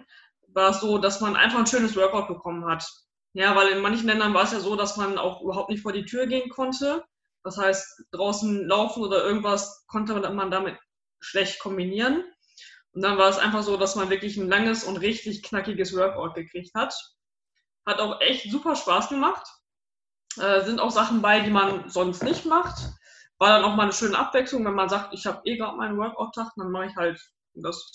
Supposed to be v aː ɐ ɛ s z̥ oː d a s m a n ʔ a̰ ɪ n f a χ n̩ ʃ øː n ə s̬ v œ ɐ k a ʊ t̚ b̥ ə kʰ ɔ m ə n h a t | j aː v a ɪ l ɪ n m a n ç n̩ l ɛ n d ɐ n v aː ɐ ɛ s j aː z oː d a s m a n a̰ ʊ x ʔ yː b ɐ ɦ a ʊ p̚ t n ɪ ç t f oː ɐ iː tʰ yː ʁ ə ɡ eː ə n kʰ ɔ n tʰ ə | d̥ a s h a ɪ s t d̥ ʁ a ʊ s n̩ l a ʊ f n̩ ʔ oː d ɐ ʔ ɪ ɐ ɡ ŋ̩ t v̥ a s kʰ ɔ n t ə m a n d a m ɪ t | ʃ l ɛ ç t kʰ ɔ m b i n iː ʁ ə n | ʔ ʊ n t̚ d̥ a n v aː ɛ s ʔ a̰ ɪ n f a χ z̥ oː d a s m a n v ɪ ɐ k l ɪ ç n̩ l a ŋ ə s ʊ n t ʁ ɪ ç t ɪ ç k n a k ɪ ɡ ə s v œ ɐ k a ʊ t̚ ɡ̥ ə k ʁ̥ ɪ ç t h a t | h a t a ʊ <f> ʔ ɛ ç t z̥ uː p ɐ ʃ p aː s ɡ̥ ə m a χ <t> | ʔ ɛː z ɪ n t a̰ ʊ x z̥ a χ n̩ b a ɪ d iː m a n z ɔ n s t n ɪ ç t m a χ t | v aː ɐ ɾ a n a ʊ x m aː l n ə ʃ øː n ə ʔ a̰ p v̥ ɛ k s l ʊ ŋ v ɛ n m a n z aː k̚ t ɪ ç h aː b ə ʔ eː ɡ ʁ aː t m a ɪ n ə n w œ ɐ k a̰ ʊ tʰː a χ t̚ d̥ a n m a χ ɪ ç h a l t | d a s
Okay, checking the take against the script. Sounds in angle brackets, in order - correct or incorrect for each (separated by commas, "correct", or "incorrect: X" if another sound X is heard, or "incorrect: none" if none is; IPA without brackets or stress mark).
incorrect: x, correct